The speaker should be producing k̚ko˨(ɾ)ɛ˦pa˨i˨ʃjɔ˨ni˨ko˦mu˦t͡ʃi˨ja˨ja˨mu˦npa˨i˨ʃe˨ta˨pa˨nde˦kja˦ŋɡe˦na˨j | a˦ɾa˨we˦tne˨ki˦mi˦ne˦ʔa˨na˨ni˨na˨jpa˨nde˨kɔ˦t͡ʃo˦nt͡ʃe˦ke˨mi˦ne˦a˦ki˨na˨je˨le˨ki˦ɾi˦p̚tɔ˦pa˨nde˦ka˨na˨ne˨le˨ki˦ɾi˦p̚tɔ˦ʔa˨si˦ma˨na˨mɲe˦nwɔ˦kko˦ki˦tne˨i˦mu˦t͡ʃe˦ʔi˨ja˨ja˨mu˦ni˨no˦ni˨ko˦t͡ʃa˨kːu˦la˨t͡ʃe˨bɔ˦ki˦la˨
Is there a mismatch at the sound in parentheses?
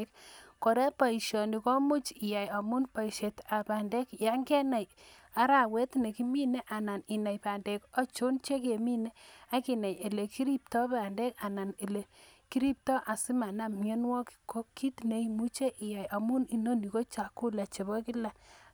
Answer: no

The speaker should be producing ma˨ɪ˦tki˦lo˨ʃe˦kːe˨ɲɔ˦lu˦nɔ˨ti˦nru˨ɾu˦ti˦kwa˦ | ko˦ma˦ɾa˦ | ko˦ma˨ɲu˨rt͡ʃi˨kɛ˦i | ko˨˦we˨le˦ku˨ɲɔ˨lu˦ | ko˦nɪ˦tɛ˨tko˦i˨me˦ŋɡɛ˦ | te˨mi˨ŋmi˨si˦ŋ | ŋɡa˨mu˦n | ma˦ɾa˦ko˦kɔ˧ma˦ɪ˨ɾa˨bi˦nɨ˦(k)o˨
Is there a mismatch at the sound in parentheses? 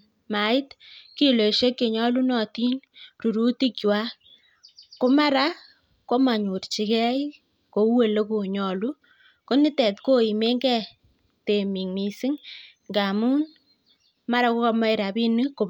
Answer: no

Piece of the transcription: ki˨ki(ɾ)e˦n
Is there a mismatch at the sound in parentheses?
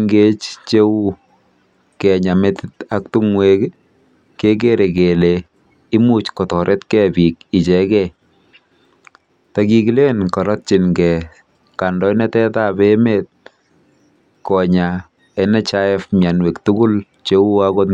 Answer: yes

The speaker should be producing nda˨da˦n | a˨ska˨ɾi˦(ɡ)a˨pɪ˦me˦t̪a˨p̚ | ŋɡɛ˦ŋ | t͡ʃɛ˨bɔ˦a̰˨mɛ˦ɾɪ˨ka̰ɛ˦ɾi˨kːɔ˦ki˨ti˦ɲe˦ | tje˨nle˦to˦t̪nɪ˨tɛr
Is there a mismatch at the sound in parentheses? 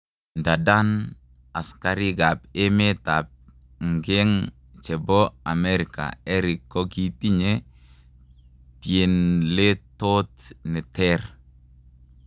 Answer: no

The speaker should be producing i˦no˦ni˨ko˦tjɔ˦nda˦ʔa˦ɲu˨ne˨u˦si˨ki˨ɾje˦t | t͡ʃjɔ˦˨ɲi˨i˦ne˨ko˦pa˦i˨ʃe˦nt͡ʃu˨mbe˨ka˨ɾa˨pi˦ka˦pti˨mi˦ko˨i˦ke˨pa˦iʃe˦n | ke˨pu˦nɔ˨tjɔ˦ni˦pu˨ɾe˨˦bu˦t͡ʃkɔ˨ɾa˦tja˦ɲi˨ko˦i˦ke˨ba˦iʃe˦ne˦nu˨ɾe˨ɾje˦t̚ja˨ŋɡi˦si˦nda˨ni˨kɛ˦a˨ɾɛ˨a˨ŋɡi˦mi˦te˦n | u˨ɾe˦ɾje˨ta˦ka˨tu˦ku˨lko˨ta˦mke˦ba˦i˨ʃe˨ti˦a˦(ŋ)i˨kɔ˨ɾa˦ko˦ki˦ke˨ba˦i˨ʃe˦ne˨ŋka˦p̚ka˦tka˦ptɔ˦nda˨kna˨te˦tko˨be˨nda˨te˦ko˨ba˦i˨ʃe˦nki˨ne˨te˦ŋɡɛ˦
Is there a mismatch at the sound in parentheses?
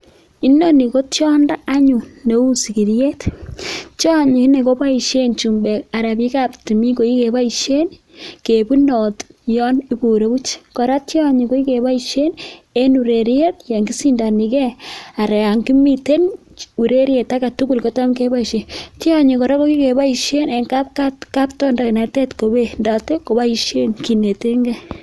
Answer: yes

